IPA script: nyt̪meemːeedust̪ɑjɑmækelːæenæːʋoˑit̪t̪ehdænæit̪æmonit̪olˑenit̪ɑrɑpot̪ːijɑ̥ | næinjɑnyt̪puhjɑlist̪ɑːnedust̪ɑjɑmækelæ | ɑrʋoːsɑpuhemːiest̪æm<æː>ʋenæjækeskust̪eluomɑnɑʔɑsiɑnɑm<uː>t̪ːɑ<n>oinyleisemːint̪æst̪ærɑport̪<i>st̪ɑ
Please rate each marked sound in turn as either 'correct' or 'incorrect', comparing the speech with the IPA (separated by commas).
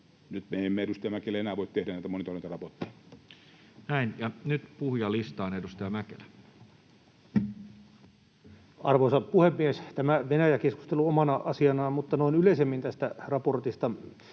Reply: incorrect, incorrect, correct, correct